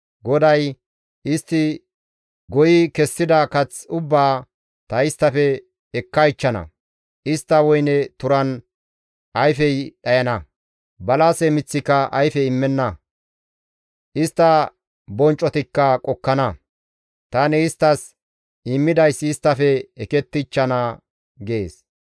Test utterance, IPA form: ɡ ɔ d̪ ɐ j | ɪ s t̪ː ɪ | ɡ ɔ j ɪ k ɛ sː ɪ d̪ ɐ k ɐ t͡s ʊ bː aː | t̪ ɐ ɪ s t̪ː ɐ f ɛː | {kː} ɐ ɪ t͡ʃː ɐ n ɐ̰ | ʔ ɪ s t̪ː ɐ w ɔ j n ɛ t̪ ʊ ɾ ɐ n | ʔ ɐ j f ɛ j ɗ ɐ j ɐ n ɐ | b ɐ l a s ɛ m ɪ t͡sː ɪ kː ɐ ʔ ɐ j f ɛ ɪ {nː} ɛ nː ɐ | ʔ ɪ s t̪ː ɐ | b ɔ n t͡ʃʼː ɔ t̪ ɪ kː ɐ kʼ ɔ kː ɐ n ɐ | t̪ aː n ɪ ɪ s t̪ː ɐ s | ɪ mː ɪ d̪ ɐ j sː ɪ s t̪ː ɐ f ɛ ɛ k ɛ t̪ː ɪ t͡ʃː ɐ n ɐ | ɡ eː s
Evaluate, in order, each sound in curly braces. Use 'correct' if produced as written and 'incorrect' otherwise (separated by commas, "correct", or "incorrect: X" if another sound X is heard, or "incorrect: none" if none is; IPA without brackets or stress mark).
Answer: correct, incorrect: mː